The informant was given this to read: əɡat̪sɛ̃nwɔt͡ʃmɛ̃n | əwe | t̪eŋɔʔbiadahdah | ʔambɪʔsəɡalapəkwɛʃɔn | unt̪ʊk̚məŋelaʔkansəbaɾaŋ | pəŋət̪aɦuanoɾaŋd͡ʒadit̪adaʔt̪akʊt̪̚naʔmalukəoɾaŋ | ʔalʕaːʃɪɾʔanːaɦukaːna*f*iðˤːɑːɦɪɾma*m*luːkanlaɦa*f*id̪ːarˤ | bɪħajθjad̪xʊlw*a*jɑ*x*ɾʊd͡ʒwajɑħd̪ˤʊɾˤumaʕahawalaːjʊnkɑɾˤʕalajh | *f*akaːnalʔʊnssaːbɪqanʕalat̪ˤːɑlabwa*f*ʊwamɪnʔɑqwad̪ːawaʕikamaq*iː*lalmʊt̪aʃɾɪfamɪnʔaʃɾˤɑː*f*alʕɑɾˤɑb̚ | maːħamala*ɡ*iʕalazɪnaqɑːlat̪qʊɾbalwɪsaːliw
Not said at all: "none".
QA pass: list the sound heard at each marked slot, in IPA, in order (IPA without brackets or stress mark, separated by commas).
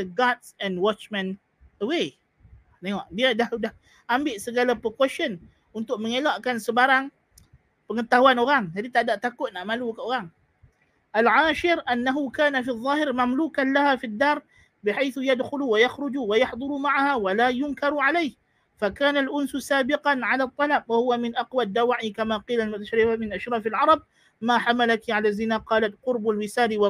f, m, f, a, x, f, h, iː, f, k